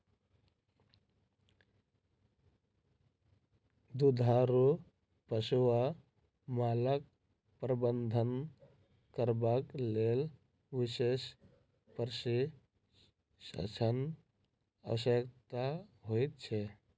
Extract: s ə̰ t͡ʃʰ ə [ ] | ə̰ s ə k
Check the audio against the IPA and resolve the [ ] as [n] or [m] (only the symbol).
n